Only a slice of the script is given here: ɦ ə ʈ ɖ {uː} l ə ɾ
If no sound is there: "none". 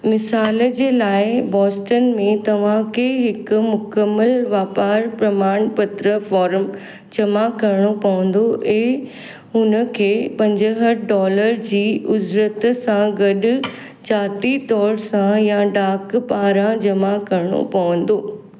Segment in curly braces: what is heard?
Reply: ɔː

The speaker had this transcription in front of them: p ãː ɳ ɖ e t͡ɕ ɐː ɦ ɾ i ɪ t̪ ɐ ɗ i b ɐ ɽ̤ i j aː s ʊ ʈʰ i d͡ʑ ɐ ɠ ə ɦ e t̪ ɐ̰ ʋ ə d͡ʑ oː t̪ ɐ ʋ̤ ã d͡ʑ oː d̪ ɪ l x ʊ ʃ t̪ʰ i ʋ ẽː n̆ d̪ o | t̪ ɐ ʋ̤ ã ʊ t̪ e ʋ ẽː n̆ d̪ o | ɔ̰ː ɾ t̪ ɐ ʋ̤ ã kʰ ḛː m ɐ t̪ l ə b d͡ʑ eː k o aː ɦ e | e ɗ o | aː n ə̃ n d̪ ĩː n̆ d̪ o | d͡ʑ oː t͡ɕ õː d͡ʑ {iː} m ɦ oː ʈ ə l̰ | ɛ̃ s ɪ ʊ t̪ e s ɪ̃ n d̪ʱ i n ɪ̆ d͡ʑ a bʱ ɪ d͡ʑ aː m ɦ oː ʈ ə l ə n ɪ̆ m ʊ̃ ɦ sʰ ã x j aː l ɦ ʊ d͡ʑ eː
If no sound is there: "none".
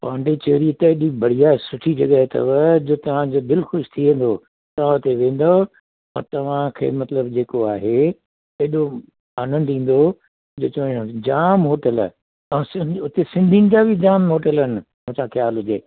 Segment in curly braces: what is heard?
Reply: aː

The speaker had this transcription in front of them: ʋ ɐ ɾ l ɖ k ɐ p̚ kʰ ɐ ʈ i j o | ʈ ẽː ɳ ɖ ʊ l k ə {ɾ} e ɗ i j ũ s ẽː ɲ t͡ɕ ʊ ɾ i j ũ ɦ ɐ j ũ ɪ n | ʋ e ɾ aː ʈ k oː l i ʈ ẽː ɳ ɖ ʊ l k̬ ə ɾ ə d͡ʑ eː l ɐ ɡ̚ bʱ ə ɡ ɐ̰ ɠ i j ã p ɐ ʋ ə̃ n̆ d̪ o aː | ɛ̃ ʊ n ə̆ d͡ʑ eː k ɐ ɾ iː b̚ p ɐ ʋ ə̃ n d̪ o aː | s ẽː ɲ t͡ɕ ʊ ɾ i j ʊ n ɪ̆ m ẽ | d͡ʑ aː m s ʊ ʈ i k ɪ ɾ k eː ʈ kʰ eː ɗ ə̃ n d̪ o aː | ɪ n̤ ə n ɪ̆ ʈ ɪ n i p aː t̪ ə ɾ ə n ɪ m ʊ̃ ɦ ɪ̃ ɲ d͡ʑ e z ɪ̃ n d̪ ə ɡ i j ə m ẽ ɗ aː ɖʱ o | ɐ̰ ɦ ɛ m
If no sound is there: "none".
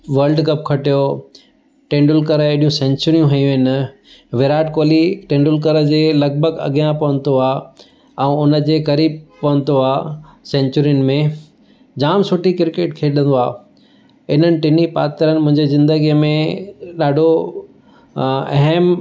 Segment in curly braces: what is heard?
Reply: ɾ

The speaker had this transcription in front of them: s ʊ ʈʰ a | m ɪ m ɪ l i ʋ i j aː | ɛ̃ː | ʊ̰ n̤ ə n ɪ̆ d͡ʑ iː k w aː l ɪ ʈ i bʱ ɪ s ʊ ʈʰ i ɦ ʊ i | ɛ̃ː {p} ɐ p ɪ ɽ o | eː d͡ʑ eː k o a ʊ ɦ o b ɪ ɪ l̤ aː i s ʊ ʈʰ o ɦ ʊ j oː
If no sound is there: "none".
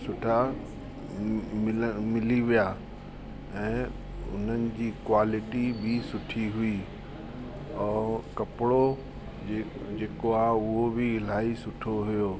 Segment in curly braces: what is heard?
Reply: k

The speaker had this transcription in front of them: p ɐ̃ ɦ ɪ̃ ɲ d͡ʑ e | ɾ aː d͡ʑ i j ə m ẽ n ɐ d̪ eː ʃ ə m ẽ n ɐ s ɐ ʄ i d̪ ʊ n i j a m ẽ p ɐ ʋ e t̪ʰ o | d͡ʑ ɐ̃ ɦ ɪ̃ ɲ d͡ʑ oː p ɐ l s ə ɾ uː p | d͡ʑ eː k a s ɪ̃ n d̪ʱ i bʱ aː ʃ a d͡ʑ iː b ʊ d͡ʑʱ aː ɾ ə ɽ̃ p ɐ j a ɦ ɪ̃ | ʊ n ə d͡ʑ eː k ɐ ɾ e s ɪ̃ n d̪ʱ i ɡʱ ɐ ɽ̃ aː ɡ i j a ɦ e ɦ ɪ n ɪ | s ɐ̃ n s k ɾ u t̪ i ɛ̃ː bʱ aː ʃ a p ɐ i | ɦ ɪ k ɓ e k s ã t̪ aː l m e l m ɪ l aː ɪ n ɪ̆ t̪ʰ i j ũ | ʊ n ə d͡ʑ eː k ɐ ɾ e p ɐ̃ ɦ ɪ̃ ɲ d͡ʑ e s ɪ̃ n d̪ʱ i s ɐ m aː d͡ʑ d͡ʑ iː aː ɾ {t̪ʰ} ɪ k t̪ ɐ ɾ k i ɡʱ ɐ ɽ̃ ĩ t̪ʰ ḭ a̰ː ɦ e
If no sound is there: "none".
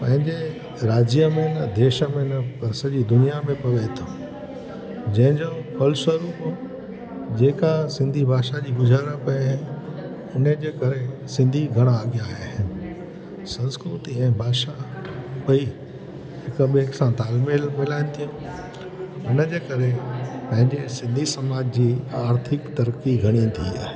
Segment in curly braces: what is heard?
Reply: t̪ʰ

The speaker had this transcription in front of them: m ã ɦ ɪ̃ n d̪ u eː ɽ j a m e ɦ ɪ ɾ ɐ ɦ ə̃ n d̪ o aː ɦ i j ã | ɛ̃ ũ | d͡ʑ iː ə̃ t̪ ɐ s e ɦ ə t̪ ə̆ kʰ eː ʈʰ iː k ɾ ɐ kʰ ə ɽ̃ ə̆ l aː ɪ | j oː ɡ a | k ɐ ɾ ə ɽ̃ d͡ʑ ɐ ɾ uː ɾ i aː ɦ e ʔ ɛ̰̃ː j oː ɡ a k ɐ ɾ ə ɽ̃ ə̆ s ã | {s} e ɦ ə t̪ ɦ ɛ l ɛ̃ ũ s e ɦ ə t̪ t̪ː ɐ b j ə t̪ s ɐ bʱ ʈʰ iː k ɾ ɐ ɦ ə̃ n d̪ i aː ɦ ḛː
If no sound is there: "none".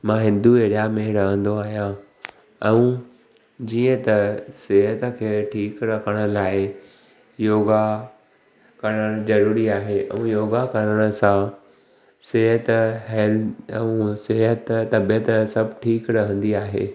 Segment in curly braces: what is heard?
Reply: s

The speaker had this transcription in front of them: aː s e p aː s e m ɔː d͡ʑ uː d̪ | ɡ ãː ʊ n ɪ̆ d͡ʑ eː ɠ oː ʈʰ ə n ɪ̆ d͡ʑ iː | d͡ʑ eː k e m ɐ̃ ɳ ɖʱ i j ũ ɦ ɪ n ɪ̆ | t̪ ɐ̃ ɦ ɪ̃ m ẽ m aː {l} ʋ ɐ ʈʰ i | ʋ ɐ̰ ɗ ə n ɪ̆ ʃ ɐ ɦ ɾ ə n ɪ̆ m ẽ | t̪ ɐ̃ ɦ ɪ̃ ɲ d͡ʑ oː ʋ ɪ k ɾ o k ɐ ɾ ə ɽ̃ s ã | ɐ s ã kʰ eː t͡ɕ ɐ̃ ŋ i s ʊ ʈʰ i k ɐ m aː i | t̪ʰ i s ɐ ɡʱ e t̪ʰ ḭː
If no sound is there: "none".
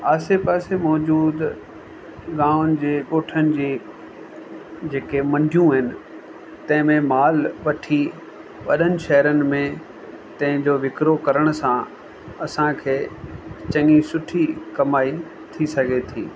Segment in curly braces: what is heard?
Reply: l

